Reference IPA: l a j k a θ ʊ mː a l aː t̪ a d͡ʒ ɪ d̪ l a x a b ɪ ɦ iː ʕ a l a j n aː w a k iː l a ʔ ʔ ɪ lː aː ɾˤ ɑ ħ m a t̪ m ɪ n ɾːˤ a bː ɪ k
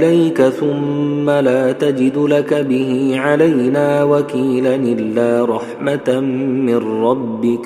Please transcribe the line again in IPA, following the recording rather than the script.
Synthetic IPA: l a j k a θ ʊ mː a l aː t̪ a d͡ʒ ɪ d̪ l a k a b ɪ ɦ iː ʕ a l a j n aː w a k iː l a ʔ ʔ ɪ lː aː ɾˤ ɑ ħ m a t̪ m ɪ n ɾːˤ ɑ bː ɪ k